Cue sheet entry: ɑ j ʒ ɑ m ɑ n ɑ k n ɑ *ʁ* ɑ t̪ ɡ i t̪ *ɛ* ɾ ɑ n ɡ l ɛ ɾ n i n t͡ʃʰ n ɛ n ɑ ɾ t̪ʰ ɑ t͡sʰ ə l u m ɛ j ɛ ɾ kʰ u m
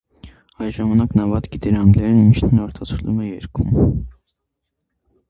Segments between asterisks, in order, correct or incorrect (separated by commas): incorrect, correct